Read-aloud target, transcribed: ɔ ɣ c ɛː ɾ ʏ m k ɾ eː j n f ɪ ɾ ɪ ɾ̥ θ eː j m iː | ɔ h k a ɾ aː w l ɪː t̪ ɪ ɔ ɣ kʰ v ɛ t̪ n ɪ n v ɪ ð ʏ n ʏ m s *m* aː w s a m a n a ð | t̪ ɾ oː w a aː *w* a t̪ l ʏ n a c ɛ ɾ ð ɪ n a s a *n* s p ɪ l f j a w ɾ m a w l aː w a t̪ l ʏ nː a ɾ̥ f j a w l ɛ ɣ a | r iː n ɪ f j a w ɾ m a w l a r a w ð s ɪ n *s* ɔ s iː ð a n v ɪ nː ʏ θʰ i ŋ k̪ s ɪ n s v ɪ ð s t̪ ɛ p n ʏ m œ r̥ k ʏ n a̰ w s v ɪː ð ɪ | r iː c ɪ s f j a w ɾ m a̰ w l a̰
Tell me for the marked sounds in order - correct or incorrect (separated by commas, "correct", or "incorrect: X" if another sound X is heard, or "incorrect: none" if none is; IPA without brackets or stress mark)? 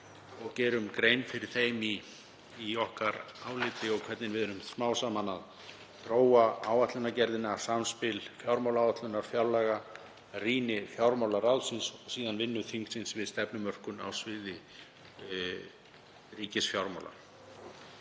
correct, correct, incorrect: m, correct